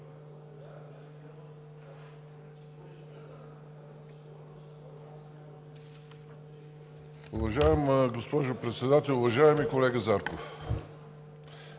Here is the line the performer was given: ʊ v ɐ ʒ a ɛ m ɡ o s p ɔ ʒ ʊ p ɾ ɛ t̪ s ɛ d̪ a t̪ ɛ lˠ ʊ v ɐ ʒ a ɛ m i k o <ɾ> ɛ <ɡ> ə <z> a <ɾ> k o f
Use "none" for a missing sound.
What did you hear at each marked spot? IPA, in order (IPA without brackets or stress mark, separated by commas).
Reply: l, ɡ, z, ɾ